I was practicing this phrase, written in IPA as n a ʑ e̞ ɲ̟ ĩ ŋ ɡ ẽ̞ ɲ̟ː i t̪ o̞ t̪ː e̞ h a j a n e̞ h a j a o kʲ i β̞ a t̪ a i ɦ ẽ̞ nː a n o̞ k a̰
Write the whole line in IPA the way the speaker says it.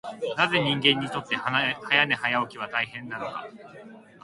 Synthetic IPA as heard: n a z e̞ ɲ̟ ĩ ŋ ɡ ẽ̞ ɲ̟ː i t̪ o̞ t̪ː e̞ h a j a n e̞ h a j a o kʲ i β̞ a t̪ a i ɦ ẽ̞ nː a n o̞ k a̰